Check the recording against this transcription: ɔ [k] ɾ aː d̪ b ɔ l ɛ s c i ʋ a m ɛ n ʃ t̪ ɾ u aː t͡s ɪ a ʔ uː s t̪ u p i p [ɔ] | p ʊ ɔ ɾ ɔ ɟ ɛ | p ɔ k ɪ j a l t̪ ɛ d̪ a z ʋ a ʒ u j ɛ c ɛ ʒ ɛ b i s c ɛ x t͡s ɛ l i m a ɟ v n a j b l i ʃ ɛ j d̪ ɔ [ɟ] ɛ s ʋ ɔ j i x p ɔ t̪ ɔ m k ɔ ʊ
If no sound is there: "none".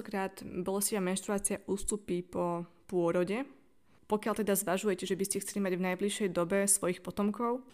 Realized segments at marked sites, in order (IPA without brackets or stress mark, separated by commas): k, ɔ, b